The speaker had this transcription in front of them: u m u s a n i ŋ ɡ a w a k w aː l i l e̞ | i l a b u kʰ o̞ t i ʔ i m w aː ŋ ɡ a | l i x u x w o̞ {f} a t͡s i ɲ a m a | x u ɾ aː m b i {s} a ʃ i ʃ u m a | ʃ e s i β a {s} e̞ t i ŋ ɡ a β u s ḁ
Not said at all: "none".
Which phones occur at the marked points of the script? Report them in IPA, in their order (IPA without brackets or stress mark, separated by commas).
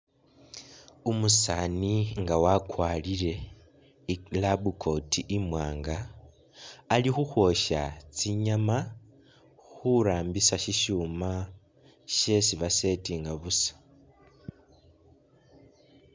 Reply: ʃ, s, s